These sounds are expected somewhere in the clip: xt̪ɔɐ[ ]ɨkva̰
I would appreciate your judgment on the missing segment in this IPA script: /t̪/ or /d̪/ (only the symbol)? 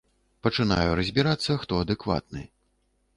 d̪